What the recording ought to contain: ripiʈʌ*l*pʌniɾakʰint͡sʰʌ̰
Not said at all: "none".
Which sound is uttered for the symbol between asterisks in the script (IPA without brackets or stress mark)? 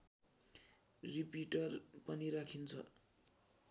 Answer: r